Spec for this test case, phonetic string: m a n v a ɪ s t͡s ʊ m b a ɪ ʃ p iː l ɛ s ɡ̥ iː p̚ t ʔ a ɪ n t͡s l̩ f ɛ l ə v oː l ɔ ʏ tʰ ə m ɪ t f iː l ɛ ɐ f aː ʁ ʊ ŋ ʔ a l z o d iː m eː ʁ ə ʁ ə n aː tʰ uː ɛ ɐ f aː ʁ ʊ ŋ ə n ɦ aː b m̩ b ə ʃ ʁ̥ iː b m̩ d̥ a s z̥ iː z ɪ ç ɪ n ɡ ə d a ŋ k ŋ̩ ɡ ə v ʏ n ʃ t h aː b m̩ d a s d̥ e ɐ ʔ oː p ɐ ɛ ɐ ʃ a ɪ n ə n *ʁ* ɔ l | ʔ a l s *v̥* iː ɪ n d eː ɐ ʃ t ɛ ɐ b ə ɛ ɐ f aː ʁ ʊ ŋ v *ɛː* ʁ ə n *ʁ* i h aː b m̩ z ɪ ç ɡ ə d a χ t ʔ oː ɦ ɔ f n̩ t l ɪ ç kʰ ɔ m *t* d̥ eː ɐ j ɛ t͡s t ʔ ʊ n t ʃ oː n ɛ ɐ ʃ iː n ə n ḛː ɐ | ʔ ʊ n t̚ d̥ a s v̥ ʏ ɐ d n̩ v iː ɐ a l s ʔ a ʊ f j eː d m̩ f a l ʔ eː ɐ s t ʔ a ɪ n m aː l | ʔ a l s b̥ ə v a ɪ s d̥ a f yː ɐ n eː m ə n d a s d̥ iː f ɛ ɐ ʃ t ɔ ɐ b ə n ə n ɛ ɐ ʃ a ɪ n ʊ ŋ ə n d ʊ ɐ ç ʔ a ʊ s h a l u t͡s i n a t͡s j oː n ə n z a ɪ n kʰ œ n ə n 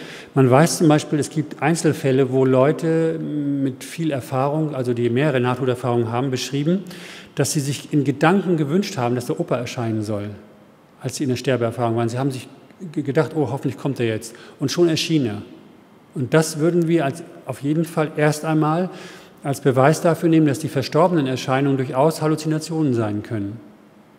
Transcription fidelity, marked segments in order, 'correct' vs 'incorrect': incorrect, incorrect, incorrect, incorrect, correct

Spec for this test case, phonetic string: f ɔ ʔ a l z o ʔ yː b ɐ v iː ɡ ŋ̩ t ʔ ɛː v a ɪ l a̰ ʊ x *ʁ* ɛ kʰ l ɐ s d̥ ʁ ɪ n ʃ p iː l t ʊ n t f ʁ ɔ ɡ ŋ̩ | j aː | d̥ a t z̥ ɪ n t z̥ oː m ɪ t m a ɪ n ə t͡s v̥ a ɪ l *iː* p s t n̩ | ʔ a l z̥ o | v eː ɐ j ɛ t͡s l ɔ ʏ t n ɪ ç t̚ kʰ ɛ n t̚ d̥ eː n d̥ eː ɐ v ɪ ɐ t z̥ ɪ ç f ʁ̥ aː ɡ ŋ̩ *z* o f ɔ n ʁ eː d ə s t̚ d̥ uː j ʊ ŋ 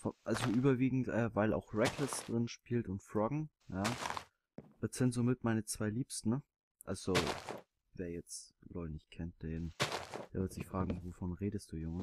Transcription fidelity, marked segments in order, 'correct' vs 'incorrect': correct, correct, incorrect

